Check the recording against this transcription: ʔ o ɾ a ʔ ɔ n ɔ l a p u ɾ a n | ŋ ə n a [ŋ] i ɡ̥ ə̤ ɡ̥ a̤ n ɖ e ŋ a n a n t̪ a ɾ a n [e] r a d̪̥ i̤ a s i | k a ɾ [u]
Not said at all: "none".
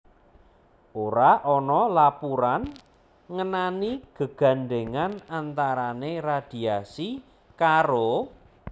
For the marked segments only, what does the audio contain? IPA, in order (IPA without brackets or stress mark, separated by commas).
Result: n, e, o